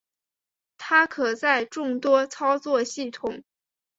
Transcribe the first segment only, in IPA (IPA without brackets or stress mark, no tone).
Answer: t̪ʰ